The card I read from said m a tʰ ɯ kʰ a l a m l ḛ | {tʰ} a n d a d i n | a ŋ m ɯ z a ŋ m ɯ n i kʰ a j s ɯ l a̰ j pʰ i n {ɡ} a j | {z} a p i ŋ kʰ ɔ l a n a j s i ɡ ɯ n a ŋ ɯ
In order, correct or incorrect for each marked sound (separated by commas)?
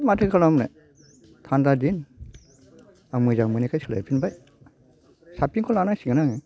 correct, incorrect, incorrect